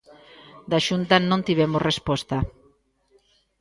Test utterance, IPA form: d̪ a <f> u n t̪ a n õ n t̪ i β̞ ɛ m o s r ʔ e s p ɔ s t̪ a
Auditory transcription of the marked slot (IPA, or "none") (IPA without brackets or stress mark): ʃ